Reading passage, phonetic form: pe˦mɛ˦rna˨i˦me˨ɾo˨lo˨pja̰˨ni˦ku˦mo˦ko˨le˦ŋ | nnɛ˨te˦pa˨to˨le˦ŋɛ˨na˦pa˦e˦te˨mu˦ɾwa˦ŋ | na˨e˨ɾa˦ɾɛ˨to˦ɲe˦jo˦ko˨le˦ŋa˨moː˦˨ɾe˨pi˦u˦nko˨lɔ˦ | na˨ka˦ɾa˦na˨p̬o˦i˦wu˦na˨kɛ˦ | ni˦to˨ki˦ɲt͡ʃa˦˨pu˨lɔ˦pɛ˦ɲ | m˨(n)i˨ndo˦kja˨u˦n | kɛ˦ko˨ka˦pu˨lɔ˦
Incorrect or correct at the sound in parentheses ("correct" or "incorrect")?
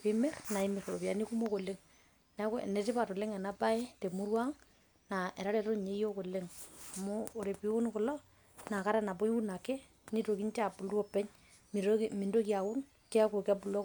incorrect